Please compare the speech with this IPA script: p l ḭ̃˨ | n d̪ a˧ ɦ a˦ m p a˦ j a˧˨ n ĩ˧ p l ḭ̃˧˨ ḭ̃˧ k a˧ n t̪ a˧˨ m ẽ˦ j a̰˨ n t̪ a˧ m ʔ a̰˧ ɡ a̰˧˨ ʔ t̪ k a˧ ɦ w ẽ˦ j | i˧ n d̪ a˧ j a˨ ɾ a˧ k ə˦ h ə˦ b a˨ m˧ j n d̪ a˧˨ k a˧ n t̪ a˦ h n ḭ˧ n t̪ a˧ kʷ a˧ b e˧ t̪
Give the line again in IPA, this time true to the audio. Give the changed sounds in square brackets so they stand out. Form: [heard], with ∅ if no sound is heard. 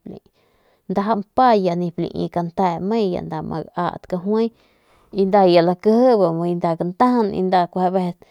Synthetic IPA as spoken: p l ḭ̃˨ | n d̪ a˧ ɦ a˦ m p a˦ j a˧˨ n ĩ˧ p l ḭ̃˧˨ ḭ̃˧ k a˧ n t̪ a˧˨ m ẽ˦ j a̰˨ n [d̪] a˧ m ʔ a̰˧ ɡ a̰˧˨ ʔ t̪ k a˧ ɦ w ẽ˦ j | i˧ n d̪ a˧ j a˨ [l] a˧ k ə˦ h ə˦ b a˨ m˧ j n d̪ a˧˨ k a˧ n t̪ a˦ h n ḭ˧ n [d̪] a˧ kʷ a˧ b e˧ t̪